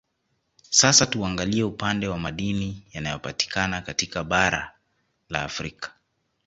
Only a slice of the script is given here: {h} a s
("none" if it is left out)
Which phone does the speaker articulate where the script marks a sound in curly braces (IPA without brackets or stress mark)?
s